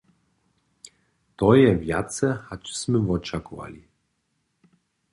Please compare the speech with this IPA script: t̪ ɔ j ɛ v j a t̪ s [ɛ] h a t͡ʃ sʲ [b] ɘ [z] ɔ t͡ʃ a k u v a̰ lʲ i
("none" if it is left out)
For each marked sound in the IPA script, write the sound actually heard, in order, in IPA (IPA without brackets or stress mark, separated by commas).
ɛ, m, v